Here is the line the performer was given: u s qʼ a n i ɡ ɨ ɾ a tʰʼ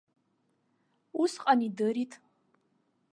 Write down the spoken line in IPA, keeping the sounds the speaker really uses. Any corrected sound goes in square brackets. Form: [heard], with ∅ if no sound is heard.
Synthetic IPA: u s qʼ a n i [d] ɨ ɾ [i] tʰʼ